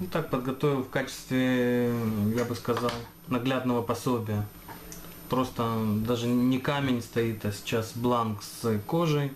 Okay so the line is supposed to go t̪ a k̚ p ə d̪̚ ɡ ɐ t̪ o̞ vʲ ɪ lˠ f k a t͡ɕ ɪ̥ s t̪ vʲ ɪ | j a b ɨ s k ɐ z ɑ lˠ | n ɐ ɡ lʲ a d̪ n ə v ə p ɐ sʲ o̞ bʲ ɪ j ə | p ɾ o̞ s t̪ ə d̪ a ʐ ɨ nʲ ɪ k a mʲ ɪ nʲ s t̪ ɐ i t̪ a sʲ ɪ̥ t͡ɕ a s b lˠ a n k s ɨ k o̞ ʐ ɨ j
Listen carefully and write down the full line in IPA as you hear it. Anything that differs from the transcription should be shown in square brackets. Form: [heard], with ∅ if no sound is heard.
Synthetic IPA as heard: t̪ a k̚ p ə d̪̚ ɡ ɐ t̪ o̞ vʲ ɪ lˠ f k a t͡ɕ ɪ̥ s t̪ vʲ ɪ | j a b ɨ s k ɐ z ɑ lˠ | n ɐ ɡ lʲ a d̪ n ə v ə p ɐ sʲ o̞ bʲ ɪ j ə | p ɾ o̞ s t̪ ə d̪ a ʐ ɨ nʲ ɪ k a mʲ ɪ nʲ s t̪ ɐ i t̪ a sʲ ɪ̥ t͡ɕ a s b lˠ a n k s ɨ k o̞ ʐ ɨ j